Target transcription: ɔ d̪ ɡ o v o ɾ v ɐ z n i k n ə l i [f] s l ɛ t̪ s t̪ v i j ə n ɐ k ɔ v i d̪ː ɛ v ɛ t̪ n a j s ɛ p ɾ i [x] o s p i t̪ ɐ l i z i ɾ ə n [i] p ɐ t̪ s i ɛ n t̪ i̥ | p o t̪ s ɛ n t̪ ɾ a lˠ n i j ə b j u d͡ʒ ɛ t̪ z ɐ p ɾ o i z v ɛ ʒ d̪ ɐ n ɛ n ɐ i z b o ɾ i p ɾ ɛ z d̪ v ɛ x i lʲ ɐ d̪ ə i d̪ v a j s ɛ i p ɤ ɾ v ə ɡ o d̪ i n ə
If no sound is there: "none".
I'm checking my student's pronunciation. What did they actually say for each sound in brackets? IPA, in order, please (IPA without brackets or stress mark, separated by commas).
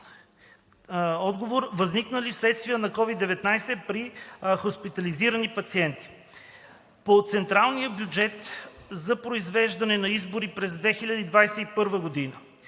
f, x, i